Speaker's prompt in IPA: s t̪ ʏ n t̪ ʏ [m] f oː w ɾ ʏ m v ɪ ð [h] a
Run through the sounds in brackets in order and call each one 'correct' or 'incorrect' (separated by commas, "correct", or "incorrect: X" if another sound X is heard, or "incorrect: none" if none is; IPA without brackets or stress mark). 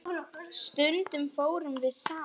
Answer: correct, incorrect: s